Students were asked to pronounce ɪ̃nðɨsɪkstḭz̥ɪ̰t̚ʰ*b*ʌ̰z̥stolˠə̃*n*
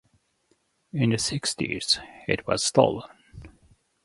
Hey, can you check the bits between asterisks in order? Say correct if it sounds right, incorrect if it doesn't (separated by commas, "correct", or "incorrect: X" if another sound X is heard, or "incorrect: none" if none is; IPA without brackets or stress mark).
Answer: incorrect: w, correct